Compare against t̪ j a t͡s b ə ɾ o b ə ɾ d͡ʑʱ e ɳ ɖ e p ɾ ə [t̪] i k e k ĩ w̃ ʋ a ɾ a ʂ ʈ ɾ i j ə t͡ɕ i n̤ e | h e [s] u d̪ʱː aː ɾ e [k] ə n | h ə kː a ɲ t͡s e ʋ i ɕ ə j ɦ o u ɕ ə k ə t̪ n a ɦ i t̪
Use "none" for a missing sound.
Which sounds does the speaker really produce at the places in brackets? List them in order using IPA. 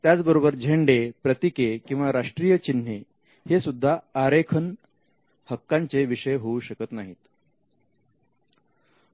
t̪, s, kʰ

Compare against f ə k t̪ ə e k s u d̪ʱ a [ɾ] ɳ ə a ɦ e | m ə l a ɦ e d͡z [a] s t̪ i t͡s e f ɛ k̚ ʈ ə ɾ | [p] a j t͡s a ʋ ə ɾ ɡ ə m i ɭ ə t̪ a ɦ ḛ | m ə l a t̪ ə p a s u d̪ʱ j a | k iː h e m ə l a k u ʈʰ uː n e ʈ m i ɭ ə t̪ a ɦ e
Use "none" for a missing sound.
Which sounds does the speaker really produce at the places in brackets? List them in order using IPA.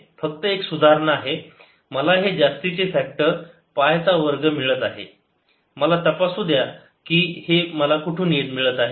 ɾ, a, p

